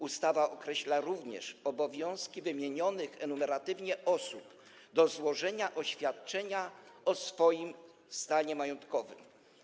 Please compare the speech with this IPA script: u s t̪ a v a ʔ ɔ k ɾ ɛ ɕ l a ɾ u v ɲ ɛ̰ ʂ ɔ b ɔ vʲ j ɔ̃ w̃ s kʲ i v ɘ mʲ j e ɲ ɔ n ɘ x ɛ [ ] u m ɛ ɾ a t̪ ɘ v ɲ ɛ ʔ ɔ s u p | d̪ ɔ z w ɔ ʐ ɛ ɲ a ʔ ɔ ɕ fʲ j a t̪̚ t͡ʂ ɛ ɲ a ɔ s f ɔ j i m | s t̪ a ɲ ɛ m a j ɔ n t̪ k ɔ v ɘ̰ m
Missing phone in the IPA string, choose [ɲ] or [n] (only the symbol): n